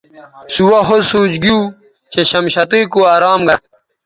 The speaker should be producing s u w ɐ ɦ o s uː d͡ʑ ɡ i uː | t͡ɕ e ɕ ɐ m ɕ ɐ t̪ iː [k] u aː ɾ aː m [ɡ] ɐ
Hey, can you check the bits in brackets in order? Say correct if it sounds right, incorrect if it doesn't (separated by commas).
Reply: correct, correct